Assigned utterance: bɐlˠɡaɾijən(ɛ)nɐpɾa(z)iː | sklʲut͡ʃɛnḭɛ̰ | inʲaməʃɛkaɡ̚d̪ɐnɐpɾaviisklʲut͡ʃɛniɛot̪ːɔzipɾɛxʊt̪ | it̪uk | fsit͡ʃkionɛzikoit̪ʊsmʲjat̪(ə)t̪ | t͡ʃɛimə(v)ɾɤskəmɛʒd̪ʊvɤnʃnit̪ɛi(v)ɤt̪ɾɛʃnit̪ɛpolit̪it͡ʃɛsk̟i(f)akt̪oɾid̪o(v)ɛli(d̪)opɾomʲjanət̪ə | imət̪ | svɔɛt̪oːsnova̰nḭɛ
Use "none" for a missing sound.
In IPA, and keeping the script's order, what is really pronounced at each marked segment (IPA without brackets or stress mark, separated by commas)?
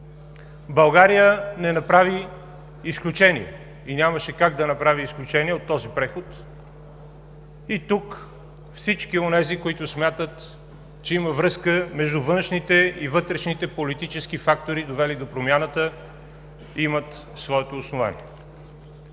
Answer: ɛ, v, ə, v, v, f, v, d̪